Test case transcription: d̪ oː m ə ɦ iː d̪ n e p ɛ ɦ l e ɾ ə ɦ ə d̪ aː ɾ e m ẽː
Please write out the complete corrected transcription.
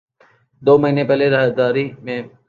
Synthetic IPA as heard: d̪ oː m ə ɦ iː n e p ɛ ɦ l e ɾ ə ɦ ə d̪ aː ɾ i m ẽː